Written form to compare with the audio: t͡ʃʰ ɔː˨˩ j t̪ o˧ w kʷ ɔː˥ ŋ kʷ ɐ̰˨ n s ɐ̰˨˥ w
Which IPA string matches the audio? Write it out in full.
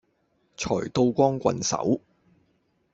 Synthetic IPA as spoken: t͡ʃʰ ɔː˨˩ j t̪ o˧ w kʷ ɔː˥ ŋ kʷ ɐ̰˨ n s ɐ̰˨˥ w